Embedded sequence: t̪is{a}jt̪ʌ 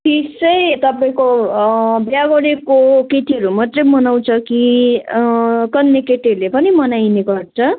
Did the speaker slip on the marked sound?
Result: yes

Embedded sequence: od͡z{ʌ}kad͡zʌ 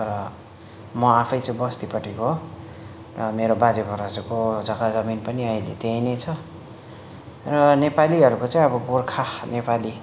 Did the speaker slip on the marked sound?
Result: no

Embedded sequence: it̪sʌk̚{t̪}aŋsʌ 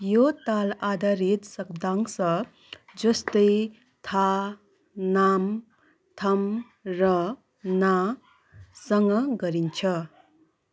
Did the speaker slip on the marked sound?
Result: yes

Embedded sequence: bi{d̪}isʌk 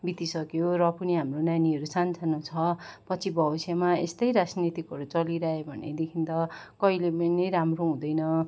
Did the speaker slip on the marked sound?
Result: yes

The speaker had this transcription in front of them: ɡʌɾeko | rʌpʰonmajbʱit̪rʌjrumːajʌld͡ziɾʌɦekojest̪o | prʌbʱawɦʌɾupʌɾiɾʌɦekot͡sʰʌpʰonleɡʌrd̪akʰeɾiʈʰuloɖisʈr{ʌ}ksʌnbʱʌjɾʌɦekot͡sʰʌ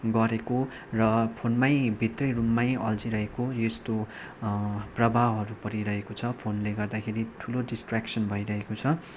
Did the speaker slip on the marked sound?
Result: yes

